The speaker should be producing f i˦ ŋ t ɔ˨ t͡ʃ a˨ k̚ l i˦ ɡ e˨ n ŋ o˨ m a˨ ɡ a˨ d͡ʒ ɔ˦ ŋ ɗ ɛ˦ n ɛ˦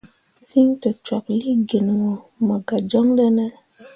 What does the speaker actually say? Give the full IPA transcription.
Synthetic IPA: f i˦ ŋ t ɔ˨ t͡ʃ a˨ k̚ l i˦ ɡ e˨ n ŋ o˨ m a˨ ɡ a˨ d͡ʒ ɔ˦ ŋ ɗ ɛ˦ n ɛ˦